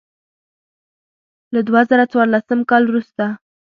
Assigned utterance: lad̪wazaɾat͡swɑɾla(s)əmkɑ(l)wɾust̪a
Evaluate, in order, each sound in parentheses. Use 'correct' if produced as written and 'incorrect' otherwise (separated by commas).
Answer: correct, correct